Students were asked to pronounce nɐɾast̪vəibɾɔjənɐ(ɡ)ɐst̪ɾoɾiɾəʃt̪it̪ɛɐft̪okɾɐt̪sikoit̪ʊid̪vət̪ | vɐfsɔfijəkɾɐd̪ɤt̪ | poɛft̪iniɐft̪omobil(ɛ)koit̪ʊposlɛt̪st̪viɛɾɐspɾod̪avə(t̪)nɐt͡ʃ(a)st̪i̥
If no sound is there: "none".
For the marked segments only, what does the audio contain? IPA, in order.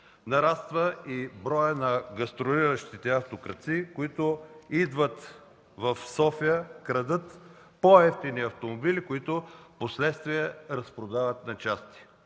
ɡ, i, t̪, a

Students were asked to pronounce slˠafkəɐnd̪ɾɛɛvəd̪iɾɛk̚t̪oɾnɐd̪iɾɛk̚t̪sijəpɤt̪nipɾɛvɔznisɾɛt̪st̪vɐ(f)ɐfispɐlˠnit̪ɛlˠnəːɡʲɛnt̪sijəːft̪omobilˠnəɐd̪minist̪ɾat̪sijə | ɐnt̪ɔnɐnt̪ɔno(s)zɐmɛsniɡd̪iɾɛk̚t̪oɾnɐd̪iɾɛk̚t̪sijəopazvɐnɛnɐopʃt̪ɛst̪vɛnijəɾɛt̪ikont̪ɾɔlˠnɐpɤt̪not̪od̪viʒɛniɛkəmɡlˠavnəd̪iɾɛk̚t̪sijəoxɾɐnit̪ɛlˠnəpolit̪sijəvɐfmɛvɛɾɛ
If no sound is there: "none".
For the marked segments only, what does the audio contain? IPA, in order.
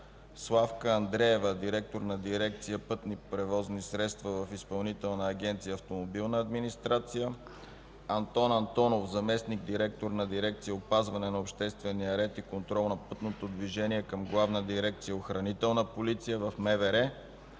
v, f

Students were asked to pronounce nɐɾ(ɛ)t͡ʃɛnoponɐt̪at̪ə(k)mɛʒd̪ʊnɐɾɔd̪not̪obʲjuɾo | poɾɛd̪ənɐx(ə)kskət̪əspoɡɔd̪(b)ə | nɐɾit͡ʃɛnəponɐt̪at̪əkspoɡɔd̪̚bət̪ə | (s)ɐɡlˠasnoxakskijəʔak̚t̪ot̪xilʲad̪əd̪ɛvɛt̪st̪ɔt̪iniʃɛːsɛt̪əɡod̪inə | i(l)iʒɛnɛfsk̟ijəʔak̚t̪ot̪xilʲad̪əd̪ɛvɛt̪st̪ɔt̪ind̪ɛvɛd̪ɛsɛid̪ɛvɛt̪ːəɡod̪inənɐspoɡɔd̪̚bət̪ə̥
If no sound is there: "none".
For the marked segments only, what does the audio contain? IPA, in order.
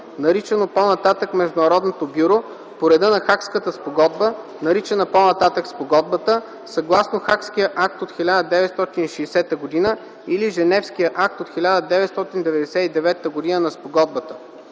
i, k, a, b, s, l

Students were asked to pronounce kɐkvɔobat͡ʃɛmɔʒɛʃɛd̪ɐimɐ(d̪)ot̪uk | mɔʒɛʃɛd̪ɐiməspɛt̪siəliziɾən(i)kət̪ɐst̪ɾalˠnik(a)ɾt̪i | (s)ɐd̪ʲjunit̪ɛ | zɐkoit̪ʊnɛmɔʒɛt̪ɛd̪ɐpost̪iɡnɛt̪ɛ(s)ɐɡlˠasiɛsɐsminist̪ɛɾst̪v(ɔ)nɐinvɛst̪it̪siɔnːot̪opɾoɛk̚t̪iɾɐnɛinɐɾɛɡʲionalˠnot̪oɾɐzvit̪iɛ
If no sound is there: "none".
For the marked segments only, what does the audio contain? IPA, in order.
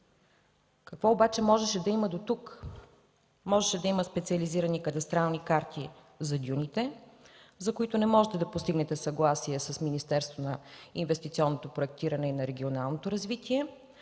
d̪, i, a, z, s, o

